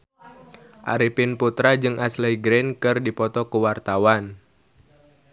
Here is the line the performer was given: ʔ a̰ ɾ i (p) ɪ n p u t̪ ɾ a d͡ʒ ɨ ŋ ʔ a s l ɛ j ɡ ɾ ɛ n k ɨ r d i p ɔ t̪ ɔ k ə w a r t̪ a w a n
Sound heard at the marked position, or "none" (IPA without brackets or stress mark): p